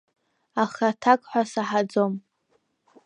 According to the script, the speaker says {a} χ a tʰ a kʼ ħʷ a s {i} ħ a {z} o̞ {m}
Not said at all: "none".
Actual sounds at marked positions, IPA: a, a, d͡z, m

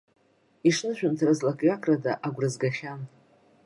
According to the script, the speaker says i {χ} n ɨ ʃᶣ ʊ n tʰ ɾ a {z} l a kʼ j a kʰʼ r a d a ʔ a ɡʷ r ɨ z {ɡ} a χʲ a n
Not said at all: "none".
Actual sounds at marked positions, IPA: ʂ, z, ɡ

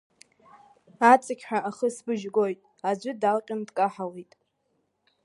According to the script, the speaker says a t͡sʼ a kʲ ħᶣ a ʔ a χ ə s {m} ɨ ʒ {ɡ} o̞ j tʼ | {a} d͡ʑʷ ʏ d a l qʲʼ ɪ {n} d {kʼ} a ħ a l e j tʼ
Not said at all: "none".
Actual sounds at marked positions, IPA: b, ɡ, a, n, kʼ

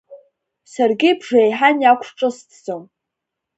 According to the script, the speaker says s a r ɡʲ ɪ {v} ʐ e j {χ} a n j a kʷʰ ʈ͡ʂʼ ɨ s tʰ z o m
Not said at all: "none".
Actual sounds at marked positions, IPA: b, ħ

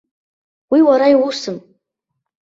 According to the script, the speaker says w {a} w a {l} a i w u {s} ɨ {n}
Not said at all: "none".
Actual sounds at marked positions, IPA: i, ɾ, s, m

